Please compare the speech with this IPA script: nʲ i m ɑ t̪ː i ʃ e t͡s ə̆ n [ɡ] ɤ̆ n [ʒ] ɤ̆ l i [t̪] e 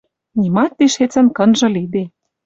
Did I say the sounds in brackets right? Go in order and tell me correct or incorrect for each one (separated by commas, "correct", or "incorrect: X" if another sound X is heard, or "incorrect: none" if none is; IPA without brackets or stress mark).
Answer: incorrect: k, correct, incorrect: d̪